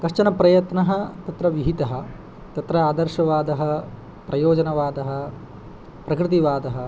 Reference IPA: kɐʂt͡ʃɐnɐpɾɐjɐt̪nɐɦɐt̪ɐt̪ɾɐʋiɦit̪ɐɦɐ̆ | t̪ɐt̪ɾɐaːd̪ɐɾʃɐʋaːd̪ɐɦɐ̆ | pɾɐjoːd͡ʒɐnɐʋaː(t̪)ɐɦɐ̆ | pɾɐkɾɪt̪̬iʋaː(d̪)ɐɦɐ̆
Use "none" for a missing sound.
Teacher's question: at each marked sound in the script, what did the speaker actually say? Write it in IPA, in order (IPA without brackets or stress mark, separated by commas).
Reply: d̪, d̪